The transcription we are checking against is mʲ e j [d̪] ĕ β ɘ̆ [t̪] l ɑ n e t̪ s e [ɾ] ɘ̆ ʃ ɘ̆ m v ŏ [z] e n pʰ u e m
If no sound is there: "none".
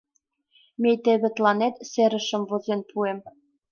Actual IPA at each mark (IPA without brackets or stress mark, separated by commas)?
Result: t̪, t̪, ɾ, z